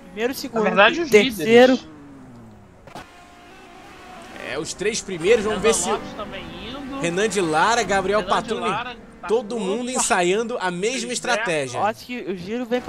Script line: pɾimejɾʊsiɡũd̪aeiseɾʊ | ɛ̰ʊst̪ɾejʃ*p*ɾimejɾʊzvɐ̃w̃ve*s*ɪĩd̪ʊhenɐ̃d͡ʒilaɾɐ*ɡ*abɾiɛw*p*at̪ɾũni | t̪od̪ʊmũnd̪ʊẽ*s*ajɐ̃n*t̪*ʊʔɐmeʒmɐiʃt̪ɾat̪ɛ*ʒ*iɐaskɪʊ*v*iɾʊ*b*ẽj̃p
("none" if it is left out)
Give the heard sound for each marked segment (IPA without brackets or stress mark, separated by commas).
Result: p, s, ɡ, p, s, d̪, ʒ, ʒ, v